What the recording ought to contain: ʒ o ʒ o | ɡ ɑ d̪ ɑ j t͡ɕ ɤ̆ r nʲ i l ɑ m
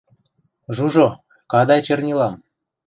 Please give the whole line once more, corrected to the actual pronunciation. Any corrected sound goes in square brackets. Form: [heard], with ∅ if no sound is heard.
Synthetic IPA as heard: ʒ [u] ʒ o | [k] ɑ d̪ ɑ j t͡ɕ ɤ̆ r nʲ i l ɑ m